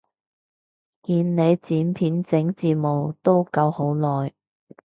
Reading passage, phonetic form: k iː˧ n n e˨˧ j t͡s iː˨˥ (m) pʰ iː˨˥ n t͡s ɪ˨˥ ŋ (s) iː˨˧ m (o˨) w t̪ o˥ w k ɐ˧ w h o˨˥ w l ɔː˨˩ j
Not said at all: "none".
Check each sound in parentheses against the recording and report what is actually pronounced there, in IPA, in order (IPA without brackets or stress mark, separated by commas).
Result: n, t͡s, o˨